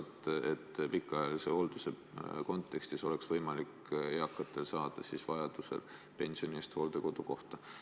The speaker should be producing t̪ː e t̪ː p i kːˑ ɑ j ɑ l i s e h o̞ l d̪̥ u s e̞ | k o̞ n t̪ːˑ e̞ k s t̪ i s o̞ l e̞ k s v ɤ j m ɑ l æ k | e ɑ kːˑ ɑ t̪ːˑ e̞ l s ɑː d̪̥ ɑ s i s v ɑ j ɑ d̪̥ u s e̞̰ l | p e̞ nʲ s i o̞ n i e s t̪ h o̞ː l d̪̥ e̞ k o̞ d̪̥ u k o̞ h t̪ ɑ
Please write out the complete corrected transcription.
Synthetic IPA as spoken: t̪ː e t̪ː p i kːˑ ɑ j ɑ l i s e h o̞ l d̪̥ u s e̞ | k o̞ n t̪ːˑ e̞ k s t̪ i s o̞ l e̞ k s v ɤ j m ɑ l i k | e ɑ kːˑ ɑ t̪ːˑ e̞ l s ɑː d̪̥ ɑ s i s v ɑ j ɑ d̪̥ u s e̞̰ l | p e̞ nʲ s i o̞ n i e s t̪ h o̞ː l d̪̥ e̞ k o̞ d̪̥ u k o̞ h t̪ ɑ